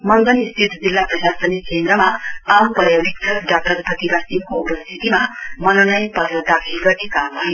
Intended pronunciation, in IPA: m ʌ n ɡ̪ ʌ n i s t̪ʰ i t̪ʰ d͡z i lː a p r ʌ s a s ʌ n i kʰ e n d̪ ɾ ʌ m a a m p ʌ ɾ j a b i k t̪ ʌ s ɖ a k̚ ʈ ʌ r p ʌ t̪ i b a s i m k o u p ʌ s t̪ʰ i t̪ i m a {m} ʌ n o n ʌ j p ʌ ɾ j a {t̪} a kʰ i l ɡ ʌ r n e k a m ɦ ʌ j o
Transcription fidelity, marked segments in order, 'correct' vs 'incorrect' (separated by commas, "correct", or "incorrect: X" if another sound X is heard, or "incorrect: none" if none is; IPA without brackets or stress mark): correct, incorrect: d̪